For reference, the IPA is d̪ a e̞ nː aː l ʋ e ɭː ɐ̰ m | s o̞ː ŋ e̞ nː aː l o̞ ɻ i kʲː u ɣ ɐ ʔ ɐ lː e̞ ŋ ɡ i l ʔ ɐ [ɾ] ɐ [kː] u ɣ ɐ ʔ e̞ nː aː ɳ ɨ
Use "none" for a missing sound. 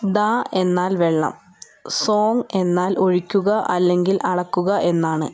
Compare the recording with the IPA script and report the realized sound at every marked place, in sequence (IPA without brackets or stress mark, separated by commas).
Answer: ɽ, kː